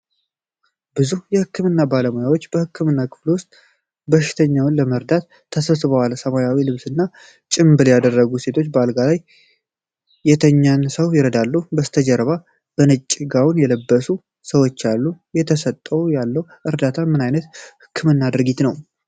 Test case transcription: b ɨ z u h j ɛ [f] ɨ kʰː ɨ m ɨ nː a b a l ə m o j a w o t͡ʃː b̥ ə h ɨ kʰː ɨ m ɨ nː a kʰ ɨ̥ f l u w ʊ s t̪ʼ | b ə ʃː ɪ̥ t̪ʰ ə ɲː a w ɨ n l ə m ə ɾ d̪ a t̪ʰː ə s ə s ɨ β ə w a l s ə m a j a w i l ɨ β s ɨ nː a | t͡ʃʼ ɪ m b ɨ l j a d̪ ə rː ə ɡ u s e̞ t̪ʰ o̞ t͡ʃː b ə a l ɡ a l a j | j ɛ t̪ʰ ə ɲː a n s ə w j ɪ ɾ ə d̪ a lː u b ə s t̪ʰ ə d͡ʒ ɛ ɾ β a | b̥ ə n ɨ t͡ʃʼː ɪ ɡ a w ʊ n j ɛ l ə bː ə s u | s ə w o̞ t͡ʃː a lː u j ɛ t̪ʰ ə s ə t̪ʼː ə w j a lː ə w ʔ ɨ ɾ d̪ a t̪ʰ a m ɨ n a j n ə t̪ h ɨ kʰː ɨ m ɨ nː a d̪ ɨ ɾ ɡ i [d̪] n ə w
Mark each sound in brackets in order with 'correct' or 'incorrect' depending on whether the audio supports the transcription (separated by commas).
incorrect, incorrect